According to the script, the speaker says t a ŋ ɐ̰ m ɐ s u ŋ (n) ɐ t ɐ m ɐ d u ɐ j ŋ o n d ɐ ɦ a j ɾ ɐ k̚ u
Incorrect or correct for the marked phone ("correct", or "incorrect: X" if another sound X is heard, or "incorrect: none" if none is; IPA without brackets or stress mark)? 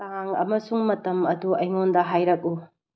incorrect: m